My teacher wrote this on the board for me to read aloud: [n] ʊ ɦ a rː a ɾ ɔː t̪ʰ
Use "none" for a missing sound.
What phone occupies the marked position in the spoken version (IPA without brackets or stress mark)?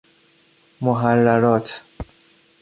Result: m